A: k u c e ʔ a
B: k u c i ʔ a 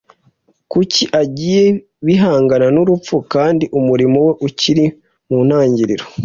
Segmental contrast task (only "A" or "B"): B